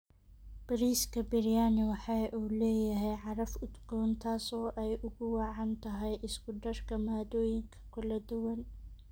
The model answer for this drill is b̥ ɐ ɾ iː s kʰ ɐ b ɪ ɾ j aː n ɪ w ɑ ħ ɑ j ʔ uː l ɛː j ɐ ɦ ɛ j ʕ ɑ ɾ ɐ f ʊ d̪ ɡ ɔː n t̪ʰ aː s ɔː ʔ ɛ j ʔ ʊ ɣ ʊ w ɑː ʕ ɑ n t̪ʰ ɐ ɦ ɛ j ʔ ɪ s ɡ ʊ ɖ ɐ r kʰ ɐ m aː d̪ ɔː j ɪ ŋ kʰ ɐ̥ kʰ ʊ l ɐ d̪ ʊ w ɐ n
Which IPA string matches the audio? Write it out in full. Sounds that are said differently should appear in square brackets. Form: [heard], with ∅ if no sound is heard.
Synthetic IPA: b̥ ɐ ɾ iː s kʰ ɐ b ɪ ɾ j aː n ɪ w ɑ ħ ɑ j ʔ uː l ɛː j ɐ ɦ ɛ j ʕ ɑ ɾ ɐ f ʊ d̪ ɡ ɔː n t̪ʰ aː s ɔː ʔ ɛ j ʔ ʊ ɣ ʊ w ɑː ʕ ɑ n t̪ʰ ɐ ɦ ɛ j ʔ ɪ s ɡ ʊ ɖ ɐ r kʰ ɐ m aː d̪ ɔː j ɪ ŋ kʰ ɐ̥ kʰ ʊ l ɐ d̪ ʊ w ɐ n